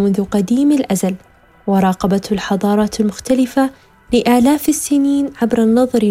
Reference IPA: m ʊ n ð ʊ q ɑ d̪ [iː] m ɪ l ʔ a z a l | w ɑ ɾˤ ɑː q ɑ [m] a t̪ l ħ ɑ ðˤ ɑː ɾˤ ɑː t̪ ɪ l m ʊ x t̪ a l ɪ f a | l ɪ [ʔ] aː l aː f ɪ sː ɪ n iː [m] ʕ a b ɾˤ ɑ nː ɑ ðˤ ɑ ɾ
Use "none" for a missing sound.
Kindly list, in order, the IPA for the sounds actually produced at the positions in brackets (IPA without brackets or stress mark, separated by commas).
iː, b, ʔ, n